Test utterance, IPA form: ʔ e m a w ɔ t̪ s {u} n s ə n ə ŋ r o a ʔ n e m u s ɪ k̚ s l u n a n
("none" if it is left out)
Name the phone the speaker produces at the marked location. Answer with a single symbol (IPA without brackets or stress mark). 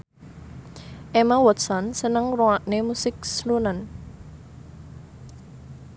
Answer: ɔ